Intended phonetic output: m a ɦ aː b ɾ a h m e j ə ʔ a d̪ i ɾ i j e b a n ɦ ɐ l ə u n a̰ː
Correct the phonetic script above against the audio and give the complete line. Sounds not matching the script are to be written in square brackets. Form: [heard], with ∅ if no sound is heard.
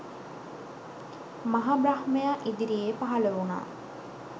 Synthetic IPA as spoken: m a ɦ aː b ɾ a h m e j [a] ʔ [i] d̪ i ɾ i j e [p] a [∅] ɦ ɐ l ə u n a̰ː